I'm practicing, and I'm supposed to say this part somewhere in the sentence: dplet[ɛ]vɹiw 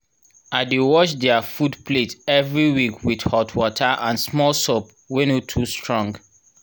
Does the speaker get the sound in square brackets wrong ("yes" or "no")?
no